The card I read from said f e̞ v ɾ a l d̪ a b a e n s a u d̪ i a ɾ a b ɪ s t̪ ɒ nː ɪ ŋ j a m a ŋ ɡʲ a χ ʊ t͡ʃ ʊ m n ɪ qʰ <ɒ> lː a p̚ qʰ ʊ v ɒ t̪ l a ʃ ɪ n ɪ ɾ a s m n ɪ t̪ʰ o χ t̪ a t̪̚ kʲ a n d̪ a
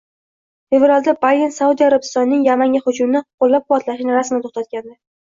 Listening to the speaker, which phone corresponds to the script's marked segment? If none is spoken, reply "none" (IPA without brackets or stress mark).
o